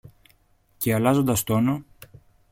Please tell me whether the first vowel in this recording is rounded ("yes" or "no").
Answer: no